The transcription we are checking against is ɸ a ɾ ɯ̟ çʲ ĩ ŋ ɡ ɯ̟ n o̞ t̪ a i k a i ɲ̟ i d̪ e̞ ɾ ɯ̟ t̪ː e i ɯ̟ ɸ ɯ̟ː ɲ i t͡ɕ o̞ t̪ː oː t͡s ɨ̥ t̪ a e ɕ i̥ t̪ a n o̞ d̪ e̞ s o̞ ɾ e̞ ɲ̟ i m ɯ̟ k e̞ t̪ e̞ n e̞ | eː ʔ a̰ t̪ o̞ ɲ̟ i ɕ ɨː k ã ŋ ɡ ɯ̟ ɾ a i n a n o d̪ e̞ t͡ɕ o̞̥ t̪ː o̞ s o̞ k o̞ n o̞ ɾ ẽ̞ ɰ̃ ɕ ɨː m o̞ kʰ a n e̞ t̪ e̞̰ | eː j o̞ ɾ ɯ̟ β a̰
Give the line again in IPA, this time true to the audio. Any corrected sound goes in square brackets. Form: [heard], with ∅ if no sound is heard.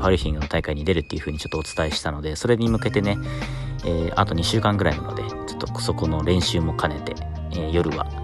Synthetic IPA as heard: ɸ a ɾ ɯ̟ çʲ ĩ ŋ ɡ ɯ̟ n o̞ t̪ a i k a i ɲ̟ i d̪ e̞ ɾ ɯ̟ t̪ː e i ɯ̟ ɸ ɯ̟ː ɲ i t͡ɕ o̞ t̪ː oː t͡s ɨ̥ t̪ a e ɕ i̥ t̪ a n o̞ d̪ e̞ s o̞ ɾ e̞ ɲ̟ i m ɯ̟ k e̞ t̪ e̞ n e̞ | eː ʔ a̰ t̪ o̞ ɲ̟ i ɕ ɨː k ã ŋ ɡ ɯ̟ ɾ a i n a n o d̪ e̞ t͡ɕ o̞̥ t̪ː o̞ s o̞ k o̞ n o̞ ɾ ẽ̞ ɰ̃ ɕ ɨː m o̞ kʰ a n e̞ t̪ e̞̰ | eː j o̞ ɾ ɯ̟ β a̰